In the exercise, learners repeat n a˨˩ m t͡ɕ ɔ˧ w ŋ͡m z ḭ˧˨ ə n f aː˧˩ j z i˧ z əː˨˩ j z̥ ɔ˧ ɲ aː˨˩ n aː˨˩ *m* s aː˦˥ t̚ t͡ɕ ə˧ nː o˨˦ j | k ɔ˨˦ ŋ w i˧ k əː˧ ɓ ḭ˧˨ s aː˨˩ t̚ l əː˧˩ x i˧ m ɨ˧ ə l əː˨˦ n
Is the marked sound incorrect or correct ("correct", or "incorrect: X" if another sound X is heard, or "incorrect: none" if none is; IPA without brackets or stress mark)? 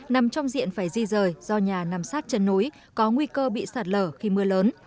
correct